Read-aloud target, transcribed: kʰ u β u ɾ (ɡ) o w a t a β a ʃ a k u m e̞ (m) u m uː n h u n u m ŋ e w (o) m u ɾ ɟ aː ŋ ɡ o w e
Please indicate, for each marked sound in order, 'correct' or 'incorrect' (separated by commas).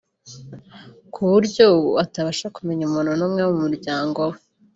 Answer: incorrect, incorrect, incorrect